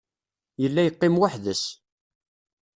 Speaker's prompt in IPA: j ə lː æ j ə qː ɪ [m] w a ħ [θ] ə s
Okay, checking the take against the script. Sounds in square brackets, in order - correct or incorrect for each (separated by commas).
correct, incorrect